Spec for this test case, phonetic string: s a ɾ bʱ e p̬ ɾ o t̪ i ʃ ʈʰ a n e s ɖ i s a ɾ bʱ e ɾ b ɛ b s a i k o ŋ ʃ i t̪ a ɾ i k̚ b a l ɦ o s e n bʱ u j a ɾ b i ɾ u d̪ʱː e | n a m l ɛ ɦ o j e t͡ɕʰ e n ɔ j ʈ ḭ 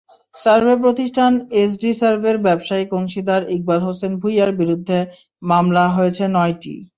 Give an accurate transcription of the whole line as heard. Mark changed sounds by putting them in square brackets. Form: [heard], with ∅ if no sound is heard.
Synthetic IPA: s a ɾ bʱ e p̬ ɾ o t̪ i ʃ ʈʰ a n e s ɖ i s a ɾ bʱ e ɾ b ɛ b [ʃ] a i k o ŋ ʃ i [d̪] a ɾ i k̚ b a l ɦ o s e n bʱ u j a ɾ b i ɾ u d̪ʱː e | [m] a m l [a] ɦ o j e t͡ɕʰ e n ɔ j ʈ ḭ